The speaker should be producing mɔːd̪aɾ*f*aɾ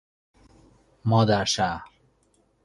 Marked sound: incorrect: ʃ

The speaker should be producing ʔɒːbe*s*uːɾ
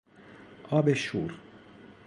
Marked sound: incorrect: ʃ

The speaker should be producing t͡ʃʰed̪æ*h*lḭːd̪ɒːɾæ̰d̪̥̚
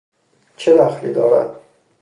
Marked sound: incorrect: x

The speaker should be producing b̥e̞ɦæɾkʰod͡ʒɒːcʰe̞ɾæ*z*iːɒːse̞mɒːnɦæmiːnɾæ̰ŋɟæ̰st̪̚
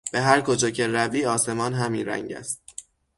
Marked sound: incorrect: v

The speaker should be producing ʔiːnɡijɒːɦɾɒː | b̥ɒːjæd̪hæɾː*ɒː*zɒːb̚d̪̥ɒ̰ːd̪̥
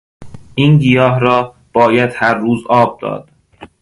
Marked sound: incorrect: uː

